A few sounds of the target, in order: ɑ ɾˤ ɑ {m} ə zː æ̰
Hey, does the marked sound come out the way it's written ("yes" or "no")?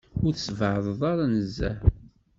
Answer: no